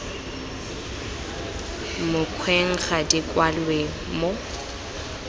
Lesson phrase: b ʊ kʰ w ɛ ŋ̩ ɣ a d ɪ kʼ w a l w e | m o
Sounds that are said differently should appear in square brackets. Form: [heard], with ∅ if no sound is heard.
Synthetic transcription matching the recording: [m] ʊ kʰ w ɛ ŋ̩ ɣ a d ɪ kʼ w a l w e | m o